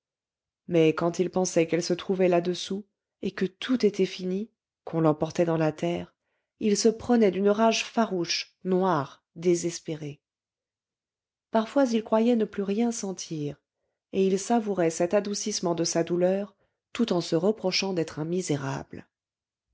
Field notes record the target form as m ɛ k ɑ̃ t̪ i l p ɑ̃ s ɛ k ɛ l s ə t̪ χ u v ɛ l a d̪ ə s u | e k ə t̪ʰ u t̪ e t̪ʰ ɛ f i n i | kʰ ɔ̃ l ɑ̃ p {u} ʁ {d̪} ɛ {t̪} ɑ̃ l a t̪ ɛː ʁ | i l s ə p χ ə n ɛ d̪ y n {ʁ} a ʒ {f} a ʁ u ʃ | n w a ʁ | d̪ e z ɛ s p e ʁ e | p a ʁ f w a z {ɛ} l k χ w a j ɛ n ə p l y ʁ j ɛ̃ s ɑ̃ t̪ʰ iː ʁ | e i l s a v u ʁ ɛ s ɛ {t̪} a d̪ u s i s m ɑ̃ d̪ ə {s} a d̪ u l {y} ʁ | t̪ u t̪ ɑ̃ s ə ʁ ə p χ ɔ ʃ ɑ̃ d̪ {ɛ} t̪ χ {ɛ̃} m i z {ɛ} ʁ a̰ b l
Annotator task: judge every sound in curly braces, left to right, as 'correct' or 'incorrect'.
incorrect: ɔ, incorrect: t̪, incorrect: d̪, correct, correct, incorrect: i, correct, correct, incorrect: œ, correct, correct, incorrect: e

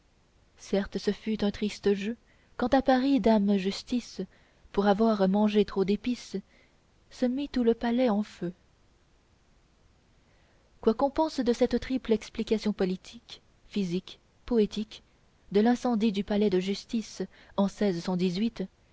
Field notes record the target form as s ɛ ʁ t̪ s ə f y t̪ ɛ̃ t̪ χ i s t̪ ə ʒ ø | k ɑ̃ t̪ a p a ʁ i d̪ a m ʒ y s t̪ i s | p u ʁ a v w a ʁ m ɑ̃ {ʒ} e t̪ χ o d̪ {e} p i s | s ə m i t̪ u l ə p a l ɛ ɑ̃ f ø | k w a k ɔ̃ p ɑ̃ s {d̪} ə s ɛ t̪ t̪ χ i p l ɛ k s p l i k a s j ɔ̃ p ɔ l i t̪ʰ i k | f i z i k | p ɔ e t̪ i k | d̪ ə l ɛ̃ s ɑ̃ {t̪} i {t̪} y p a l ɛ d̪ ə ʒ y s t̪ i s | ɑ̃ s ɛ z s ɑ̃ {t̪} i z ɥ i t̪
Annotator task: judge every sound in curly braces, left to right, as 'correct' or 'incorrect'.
correct, correct, correct, incorrect: d̪, incorrect: d̪, incorrect: d̪

